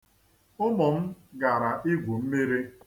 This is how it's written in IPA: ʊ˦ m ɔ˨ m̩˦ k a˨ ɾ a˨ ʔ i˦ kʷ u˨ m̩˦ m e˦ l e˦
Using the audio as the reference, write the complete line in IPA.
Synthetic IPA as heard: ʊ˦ m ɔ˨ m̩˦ ɡ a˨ ɾ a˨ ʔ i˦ ɡʷ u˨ m̩˦ m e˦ ɾ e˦